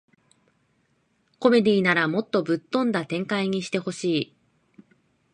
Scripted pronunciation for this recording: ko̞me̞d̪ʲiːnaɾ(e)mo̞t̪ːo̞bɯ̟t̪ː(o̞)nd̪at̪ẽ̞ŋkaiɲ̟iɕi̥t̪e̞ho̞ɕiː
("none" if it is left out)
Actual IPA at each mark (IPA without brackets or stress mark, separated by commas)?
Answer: a, õ̞